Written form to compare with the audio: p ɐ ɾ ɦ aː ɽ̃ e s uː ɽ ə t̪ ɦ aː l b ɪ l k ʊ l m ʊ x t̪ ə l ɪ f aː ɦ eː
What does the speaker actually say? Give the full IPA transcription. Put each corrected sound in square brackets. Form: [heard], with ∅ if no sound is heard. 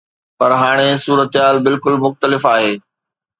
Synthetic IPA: p ɐ ɾ ɦ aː ɽ̃ e s uː [ɾ] ə t̪ ɦ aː l b ɪ l k ʊ l m ʊ x t̪ ə l ɪ f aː ɦ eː

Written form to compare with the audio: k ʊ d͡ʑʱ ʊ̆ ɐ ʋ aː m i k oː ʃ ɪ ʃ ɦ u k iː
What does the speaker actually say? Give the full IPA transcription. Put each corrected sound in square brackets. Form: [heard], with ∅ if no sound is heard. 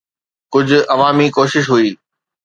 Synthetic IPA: k ʊ d͡ʑʱ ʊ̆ ɐ ʋ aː m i k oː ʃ ɪ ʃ ɦ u [∅] iː

